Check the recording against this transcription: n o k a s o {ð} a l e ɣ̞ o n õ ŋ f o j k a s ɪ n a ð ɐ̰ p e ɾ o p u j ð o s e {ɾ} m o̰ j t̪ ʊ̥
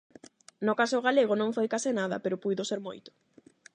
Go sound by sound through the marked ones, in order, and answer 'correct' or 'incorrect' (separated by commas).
incorrect, correct